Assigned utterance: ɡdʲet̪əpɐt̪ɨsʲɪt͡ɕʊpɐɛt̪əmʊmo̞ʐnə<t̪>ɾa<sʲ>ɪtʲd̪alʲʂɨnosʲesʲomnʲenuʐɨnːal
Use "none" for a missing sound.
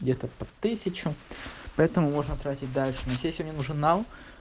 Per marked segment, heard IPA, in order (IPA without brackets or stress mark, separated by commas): t̪, tʲ